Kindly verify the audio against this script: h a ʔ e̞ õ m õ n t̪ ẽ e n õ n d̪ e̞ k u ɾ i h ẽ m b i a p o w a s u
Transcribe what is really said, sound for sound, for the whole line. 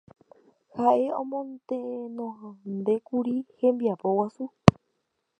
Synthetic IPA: h a ʔ e̞ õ m õ n t̪ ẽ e n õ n d̪ e̞ k u ɾ i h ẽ m b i a p o w a s u